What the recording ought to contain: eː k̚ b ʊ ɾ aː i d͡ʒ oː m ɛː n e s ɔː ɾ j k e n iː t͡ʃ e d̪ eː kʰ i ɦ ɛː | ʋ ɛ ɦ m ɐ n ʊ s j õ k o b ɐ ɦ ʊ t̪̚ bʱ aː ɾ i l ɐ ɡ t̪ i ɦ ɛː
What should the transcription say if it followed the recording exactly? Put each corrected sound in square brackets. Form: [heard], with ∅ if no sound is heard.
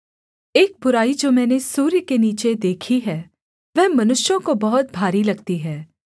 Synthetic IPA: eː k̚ b ʊ ɾ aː i d͡ʒ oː m ɛː n e s [uː] ɾ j k e n iː t͡ʃ e d̪ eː kʰ i ɦ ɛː | ʋ ɛ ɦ m ɐ n ʊ [ʃ] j õ k o b ɐ ɦ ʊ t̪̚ bʱ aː ɾ i l ɐ ɡ t̪ i ɦ ɛː